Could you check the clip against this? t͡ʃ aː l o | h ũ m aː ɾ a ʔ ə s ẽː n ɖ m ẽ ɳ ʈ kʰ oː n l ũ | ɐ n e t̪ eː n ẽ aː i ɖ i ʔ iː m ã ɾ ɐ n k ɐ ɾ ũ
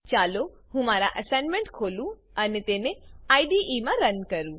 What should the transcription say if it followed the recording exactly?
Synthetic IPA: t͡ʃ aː l o | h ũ m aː ɾ a ʔ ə s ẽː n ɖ m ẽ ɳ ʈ kʰ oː l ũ | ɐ n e t̪ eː n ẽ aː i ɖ i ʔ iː m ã ɾ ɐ n k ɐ ɾ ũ